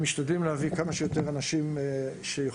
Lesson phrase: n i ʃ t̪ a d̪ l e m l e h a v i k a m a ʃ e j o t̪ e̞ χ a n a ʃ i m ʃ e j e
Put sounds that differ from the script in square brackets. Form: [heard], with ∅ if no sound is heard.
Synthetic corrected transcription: [m] i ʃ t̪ a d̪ l [i] m l e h a v i k a m a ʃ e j o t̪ e̞ [ʁ] a n a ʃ i m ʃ e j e